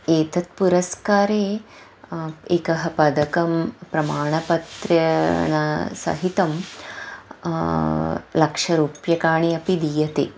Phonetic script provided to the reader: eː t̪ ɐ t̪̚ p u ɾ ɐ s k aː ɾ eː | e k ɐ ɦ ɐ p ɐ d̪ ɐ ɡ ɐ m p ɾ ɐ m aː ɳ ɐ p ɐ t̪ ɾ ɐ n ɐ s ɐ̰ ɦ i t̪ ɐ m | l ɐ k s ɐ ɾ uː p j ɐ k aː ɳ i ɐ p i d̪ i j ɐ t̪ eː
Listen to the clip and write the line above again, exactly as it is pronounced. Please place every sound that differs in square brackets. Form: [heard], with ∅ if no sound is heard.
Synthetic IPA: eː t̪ ɐ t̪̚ p u ɾ ɐ s k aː ɾ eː | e k ɐ ɦ ɐ p ɐ d̪ ɐ [k] ɐ m p ɾ ɐ m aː ɳ ɐ p ɐ t̪ ɾ ɐ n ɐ s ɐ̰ ɦ i t̪ ɐ m | l ɐ k [ʂ] ɐ ɾ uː p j ɐ k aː ɳ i ɐ p i d̪ i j ɐ t̪ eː